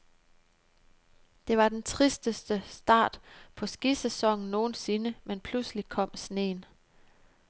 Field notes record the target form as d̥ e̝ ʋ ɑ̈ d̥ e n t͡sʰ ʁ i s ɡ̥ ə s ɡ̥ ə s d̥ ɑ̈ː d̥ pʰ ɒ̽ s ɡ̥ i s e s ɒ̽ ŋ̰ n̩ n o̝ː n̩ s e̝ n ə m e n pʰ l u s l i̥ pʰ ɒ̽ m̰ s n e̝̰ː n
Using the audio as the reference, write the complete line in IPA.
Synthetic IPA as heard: d̥ e̝ ʋ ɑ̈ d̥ e n t͡sʰ ʁ i s d̥ ə s d̥ ə s d̥ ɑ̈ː d̥ pʰ ɒ̽ s ɡ̥ i s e s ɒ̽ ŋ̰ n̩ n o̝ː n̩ s e̝ n ə m e n pʰ l u s l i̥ kʰ ɒ̽ m̰ s n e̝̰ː n